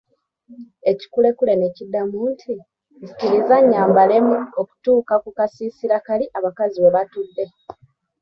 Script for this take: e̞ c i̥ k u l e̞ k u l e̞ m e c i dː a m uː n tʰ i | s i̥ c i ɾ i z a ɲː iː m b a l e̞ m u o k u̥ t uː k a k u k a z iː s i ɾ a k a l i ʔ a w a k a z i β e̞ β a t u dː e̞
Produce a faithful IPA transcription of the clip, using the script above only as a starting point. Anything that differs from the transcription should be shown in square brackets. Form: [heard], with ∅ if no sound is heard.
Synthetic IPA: e̞ c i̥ k u l e̞ k u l e̞ [n] e c i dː a m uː n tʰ i | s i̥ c i ɾ i z a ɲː [aː] m b a l e̞ m u o k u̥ t uː k a k u k a [s] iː s i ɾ a k a l i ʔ a [β] a k a z i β e̞ β a t u dː e̞